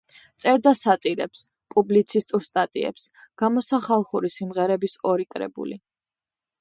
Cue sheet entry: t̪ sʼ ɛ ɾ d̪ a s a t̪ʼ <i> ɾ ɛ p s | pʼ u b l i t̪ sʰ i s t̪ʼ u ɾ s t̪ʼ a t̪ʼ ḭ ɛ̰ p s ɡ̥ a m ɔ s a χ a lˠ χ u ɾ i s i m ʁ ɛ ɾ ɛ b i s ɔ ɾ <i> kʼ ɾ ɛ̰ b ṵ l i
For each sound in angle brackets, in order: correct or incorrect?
correct, correct

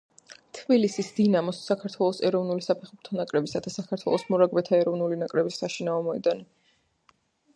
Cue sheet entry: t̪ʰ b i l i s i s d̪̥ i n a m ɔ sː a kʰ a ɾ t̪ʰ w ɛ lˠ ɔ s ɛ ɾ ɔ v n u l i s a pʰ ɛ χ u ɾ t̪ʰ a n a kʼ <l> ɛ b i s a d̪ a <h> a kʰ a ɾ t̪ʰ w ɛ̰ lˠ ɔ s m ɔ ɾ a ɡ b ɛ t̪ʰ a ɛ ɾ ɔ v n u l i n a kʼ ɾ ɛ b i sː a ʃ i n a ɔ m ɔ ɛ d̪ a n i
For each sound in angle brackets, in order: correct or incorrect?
incorrect: ɾ, incorrect: s

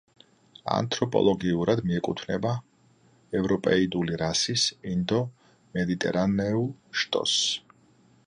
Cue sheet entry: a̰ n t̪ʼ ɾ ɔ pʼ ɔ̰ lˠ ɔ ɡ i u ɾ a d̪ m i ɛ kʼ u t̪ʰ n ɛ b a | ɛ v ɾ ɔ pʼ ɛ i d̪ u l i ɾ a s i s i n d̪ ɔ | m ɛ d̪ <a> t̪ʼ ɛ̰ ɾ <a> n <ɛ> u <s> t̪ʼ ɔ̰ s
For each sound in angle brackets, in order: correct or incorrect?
incorrect: i, correct, correct, incorrect: ʃ

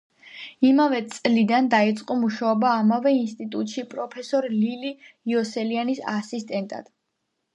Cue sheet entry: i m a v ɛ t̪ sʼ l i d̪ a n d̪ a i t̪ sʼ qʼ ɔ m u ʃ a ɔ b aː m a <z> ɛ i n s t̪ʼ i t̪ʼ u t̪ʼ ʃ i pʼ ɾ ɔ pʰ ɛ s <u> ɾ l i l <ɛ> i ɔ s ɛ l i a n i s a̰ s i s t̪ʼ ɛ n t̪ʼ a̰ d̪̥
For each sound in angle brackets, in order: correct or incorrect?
incorrect: v, incorrect: ɔ, incorrect: i

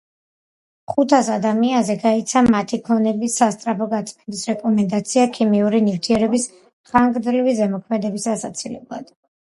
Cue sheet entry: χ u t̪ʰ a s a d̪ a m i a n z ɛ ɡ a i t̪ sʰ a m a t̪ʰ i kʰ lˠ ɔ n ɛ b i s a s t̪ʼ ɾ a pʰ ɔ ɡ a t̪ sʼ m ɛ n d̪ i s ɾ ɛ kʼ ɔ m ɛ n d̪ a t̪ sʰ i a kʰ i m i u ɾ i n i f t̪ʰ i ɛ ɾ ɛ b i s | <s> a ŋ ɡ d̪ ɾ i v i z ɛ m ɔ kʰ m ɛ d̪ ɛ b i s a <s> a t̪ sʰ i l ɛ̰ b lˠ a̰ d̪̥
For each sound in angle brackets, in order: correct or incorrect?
incorrect: χ, correct

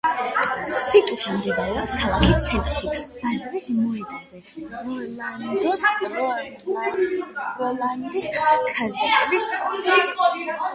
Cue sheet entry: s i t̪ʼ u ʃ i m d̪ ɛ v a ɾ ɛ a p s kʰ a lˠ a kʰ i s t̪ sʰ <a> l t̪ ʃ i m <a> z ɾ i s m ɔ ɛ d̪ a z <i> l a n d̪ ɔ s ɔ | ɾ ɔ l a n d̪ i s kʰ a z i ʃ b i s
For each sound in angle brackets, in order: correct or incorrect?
incorrect: ɛ, correct, incorrect: ɛ

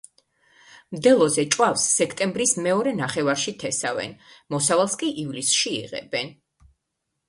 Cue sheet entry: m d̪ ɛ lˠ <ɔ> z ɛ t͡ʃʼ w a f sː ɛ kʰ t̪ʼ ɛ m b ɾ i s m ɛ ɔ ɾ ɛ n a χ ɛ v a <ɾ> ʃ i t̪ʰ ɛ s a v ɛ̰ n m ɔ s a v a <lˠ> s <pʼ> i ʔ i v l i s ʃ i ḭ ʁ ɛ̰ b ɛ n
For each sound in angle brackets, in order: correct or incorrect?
correct, correct, correct, incorrect: kʼ

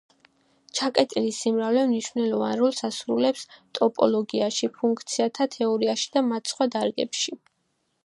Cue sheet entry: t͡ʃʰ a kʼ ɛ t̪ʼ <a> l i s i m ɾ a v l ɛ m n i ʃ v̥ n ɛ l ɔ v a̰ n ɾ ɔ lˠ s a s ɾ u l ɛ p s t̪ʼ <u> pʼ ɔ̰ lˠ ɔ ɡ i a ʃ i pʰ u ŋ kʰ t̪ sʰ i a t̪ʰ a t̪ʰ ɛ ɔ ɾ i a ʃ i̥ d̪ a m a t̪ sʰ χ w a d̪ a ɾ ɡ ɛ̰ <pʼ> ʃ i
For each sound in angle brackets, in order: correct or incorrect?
incorrect: i, incorrect: ɔ, incorrect: p

